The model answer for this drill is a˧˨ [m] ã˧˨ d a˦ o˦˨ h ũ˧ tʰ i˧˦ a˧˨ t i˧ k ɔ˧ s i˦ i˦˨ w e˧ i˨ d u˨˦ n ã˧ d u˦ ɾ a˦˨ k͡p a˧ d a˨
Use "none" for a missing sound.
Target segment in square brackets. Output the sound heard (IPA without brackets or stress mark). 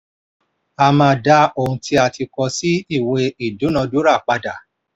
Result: m